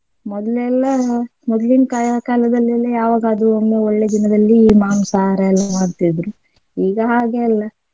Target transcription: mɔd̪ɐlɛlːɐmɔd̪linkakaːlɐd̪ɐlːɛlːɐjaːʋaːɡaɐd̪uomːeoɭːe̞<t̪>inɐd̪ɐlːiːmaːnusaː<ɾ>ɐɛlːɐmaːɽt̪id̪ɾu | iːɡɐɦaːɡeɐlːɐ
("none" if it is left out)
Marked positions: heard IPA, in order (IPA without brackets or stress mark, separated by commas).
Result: d̪, ɾ